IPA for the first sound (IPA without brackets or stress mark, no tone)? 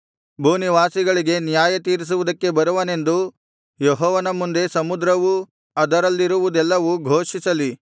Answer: bʱ